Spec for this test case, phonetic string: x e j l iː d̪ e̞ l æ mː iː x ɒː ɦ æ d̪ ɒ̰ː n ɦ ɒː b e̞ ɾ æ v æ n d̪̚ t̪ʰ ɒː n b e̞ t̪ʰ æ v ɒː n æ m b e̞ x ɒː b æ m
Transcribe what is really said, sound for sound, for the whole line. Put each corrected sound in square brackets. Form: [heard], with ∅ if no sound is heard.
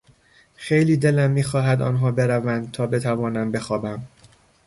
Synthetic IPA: x e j l iː d̪ e̞ l æ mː iː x ɒː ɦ æ d̪ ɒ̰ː n ɦ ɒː b e̞ ɾ æ v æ n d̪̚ t̪ʰ ɒː [∅] b e̞ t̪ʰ æ v ɒː n æ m b e̞ x ɒː b æ m